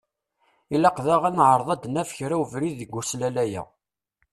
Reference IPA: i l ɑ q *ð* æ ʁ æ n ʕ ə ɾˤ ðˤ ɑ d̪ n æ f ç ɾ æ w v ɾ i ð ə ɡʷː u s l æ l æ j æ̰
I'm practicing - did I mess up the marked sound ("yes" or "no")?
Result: no